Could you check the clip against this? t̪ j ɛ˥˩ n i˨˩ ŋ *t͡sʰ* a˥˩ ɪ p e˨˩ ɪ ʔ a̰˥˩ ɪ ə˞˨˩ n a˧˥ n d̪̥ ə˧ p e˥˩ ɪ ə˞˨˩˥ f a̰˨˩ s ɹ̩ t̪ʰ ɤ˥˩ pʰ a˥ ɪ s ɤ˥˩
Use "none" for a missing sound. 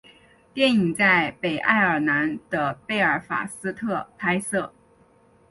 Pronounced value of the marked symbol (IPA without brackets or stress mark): t͡s